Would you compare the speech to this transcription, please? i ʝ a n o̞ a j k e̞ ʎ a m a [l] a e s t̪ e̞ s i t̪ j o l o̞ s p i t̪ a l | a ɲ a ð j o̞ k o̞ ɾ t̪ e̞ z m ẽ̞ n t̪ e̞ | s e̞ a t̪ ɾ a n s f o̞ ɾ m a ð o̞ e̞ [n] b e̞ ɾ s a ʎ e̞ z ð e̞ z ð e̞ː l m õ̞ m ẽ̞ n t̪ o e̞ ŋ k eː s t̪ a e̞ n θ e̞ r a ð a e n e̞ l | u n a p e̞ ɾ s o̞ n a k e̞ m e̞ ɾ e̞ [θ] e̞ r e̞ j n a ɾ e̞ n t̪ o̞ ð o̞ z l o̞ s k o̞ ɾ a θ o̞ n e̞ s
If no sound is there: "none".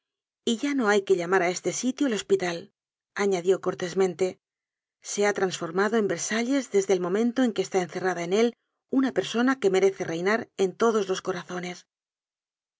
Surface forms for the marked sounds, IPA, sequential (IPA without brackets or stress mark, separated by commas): ɾ, m, θ